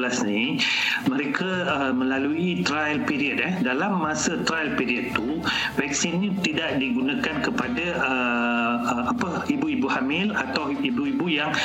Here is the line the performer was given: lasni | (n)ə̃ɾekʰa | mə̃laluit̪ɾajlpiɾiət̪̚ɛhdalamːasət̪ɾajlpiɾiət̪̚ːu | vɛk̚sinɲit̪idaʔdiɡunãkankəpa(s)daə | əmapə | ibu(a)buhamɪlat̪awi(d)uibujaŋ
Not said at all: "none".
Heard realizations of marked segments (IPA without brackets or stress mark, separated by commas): m, none, i, b